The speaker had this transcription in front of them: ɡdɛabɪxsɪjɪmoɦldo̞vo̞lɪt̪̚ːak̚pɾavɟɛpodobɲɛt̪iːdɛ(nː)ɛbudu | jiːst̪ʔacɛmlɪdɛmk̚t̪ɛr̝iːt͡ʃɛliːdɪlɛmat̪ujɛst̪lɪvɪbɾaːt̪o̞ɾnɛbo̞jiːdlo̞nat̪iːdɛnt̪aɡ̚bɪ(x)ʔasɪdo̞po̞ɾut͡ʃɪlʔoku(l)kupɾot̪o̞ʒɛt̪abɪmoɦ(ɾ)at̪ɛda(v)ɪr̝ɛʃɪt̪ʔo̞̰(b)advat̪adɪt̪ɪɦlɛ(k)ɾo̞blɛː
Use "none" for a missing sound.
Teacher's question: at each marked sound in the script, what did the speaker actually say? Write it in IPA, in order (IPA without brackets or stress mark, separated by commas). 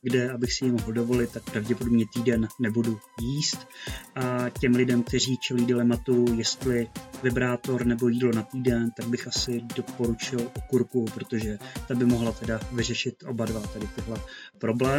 nː, x, ɾ, l, v, b, p